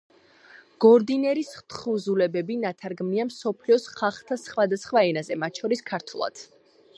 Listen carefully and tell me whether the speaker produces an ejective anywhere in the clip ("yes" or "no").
no